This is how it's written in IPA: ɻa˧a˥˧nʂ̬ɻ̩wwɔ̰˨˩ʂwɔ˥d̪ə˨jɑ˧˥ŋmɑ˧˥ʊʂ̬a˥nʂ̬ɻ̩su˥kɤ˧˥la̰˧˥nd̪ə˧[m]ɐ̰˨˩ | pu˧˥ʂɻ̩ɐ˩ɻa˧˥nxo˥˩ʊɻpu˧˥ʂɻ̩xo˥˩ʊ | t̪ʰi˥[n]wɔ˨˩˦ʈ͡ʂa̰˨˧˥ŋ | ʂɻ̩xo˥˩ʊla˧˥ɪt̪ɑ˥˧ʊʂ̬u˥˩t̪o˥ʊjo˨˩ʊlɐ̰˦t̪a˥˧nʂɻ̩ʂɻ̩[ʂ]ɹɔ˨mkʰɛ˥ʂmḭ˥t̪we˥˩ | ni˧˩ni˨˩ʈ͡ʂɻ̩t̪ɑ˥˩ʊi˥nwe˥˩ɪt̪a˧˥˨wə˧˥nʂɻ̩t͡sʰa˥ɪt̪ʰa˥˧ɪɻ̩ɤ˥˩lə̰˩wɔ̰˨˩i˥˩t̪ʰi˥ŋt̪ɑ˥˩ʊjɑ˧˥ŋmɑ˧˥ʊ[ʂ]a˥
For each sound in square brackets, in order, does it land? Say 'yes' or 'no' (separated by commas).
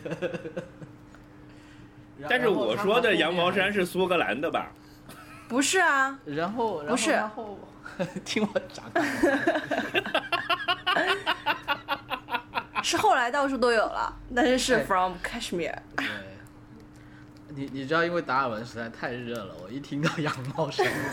no, no, no, yes